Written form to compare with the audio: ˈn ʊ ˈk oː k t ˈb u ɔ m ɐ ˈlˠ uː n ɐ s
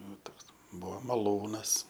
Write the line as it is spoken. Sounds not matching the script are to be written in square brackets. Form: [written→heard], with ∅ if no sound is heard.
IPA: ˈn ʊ [ˈk→ˈt] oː k [t→s] ˈb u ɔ m ɐ ˈlˠ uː n ɐ s